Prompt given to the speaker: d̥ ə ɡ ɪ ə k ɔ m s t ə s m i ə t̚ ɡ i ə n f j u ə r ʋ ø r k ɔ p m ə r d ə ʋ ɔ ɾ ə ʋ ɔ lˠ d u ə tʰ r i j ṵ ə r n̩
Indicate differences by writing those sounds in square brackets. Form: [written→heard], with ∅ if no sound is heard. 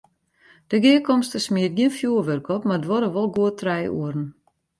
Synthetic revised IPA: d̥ ə ɡ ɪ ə k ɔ m s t ə s m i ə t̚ ɡ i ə n f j u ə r ʋ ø r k ɔ p m [ə→a] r d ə ʋ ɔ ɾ ə ʋ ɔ lˠ [d→ɡ] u ə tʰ r [i→ɛ] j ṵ ə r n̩